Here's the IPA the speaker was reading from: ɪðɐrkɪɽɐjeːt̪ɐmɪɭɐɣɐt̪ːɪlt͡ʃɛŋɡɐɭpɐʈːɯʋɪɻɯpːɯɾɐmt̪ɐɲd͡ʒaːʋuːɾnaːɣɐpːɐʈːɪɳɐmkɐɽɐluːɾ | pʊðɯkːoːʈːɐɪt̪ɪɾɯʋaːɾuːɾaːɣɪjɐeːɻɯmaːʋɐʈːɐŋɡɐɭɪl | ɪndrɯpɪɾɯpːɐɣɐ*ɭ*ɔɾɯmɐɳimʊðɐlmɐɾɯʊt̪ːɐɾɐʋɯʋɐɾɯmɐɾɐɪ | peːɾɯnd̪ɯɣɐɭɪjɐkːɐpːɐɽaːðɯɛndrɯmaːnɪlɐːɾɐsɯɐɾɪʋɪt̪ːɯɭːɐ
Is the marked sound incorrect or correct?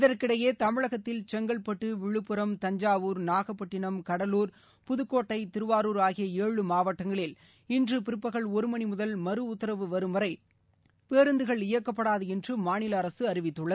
correct